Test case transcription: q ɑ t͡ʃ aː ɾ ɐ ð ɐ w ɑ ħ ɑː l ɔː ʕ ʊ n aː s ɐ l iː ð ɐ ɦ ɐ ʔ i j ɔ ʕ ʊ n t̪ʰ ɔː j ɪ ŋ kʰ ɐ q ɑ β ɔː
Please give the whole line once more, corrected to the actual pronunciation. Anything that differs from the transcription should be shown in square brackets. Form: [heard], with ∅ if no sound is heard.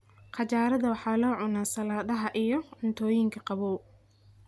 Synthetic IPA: q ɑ t͡ʃ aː ɾ ɐ ð ɐ w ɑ ħ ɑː l ɔː ʕ ʊ n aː s ɐ l [aː] ð ɐ ɦ ɐ ʔ i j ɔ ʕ ʊ n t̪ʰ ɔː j ɪ ŋ kʰ ɐ q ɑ β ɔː

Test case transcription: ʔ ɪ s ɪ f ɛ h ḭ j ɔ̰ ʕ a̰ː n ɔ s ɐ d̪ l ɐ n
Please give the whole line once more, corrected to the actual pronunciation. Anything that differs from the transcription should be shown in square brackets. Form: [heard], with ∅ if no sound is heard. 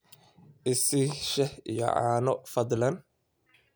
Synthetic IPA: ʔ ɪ s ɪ [ʃ] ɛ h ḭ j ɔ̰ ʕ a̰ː n ɔ [f] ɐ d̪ l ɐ n

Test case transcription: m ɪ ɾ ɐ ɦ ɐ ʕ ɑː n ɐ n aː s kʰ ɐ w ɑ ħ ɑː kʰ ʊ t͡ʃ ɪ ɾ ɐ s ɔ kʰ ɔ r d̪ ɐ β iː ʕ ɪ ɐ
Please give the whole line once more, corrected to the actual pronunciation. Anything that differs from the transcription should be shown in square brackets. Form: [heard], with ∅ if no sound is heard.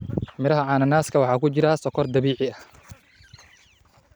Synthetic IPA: m ɪ ɾ ɐ ɦ ɐ ʕ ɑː n ɐ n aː s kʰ ɐ w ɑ ħ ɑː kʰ ʊ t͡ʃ ɪ ɾ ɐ s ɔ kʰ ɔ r d̪ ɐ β iː ʕ ɪ ɐ

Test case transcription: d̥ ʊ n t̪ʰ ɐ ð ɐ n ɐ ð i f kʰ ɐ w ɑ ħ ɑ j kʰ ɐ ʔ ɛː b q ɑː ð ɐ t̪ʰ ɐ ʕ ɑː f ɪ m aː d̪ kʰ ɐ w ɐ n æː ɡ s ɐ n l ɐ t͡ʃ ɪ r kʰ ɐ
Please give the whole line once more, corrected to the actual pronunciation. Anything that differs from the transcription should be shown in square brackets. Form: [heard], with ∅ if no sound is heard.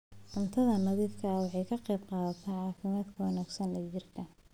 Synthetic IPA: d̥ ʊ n t̪ʰ ɐ ð ɐ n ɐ ð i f kʰ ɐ w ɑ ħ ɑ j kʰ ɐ [q] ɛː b q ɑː ð ɐ t̪ʰ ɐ ʕ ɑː f ɪ m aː d̪ kʰ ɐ w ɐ n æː ɡ s ɐ n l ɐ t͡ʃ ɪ r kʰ ɐ

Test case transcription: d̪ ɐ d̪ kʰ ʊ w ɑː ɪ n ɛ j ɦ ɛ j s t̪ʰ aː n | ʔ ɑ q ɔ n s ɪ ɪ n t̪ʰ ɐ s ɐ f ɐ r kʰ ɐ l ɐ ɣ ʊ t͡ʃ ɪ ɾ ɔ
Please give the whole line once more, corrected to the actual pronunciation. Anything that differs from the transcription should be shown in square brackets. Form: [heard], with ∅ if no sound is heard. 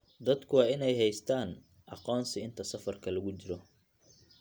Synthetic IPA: d̪ ɐ d̪ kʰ ʊ w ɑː ɪ n ɛ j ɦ ɛ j s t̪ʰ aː n | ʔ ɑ q [ɔː] n s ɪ ɪ n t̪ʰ ɐ s ɐ f ɐ r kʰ ɐ l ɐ ɣ ʊ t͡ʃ ɪ ɾ ɔ

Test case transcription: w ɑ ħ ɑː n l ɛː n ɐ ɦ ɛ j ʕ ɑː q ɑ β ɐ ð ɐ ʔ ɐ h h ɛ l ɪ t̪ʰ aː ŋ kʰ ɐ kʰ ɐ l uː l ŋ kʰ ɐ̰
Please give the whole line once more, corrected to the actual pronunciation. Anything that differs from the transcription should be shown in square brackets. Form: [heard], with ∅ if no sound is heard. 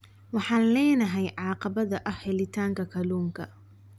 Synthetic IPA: w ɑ ħ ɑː n l ɛː n ɐ ɦ ɛ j ʕ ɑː q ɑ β ɐ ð ɐ ʔ ɐ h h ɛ l ɪ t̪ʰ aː ŋ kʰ ɐ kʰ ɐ l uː [∅] ŋ kʰ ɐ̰

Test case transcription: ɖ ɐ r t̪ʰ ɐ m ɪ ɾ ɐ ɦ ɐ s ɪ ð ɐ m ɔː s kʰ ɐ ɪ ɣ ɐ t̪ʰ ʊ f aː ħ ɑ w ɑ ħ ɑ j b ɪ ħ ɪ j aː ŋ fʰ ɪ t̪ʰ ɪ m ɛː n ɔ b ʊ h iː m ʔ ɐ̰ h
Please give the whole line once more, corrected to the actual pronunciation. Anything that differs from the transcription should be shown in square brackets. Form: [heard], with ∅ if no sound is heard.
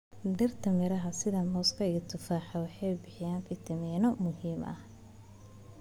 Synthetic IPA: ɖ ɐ r t̪ʰ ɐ m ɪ ɾ ɐ ɦ ɐ s ɪ ð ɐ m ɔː s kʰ ɐ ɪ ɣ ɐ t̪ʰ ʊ f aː ħ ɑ w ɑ ħ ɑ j b ɪ ħ ɪ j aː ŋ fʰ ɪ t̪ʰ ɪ m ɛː n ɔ [m] ʊ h iː m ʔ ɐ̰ h

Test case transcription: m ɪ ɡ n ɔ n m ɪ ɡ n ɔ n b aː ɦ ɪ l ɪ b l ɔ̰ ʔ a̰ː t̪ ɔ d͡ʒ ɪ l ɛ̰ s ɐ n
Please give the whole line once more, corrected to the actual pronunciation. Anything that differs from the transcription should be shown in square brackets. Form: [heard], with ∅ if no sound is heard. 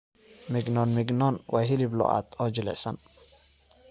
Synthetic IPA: m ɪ ɡ n ɔ n m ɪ ɡ n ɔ n [w] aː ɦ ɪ l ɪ b l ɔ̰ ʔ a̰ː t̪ ɔ d͡ʒ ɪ l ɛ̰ s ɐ n

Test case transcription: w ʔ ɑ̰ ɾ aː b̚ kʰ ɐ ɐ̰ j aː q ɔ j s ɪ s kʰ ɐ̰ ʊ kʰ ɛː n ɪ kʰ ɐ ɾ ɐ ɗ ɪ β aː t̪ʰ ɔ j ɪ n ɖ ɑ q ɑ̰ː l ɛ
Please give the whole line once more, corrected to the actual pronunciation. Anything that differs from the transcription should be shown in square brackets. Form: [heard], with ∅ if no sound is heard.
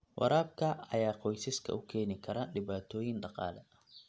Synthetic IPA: w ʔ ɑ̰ ɾ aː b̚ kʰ ɐ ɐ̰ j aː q ɔ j s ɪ s kʰ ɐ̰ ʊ kʰ ɛː n ɪ kʰ ɐ ɾ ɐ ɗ ɪ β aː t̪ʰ [ɔː] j ɪ n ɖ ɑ q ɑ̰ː l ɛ

